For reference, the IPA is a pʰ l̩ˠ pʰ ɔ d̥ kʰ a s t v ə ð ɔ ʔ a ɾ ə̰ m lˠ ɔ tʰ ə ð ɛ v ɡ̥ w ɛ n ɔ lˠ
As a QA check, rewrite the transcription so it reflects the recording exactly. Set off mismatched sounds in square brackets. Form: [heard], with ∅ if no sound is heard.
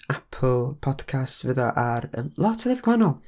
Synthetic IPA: a pʰ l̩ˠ pʰ ɔ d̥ kʰ a s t v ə ð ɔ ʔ a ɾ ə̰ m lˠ ɔ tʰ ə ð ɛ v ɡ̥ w [a] n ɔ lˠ